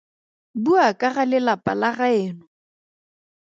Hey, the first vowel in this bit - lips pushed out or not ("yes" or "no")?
yes